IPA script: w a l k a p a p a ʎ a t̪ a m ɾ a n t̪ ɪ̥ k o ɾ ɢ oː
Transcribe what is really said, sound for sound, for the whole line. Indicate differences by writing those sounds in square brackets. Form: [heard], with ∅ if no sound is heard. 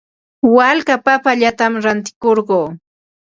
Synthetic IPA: w a l k a p a p a ʎ a t̪ a m ɾ a n t̪ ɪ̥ k o ɾ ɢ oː